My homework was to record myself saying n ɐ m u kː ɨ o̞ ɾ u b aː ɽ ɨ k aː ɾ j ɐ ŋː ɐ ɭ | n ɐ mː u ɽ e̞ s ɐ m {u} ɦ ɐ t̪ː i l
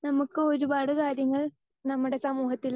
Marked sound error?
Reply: yes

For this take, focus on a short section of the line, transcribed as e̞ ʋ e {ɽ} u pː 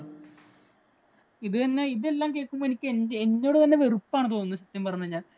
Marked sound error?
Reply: yes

